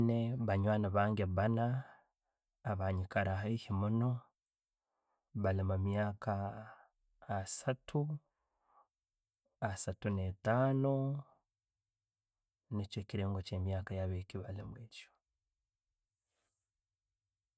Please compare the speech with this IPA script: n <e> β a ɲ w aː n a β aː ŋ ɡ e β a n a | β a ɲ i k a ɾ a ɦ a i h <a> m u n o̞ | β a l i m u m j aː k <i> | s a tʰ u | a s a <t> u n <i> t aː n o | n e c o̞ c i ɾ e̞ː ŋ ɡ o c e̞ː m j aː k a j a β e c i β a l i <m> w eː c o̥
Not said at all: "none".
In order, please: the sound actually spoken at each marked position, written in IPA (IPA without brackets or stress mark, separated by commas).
e, i, a, t, e, m